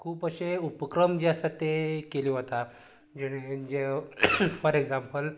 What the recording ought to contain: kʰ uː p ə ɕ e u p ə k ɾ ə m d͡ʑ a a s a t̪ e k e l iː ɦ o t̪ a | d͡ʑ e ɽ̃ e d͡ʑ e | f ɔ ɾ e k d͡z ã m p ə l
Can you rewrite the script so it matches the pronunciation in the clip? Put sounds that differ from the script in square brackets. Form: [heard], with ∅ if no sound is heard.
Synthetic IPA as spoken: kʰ uː p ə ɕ e u p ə k ɾ ə m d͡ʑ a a s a t̪ e k e l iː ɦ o t̪ a | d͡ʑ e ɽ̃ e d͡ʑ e | f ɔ ɾ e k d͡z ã m p ə l